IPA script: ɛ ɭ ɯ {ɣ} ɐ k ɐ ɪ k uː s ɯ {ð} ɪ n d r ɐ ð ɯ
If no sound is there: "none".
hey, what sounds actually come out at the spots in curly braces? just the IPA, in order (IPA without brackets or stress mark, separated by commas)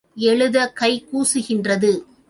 ð, ɣ